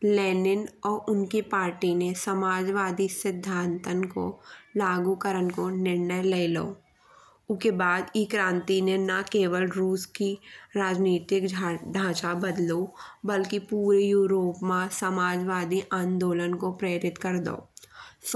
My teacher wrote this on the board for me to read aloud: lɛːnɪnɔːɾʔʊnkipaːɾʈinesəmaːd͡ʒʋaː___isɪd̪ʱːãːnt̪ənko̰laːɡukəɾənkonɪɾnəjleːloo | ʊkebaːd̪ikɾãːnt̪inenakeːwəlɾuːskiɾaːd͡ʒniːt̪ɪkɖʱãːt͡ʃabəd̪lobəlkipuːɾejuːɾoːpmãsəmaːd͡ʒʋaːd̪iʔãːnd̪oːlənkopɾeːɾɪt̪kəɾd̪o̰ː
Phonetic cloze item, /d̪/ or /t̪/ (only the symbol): d̪